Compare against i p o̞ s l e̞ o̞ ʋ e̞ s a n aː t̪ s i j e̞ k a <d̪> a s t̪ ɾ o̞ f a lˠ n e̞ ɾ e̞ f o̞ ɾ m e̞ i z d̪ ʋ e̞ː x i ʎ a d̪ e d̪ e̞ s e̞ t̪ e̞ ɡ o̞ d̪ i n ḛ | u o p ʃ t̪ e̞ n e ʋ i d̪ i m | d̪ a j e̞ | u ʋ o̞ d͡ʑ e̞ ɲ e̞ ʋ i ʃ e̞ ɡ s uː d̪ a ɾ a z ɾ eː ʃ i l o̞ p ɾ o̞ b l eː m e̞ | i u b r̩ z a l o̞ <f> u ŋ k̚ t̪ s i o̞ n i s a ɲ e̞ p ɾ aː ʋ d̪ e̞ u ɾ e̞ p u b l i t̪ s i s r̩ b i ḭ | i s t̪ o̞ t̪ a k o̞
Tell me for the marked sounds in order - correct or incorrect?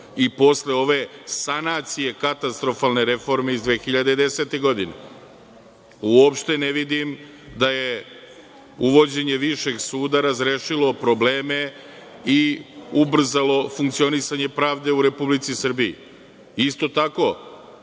incorrect: t̪, correct

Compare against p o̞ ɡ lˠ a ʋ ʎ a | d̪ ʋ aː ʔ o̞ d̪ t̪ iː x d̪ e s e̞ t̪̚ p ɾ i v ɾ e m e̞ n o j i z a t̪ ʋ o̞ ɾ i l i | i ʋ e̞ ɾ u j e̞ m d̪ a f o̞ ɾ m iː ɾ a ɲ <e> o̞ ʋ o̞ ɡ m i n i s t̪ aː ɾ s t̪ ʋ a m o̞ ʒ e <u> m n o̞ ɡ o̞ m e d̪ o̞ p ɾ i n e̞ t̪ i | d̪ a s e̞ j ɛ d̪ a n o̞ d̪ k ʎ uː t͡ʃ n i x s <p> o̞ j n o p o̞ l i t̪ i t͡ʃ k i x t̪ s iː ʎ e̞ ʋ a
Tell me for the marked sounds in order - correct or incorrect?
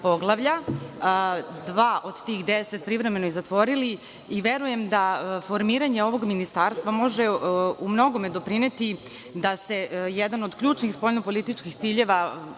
correct, correct, correct

